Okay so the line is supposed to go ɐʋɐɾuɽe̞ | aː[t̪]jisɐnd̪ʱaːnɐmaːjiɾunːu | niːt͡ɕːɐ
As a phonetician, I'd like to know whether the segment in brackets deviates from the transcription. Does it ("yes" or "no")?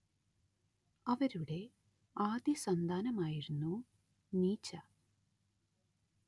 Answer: yes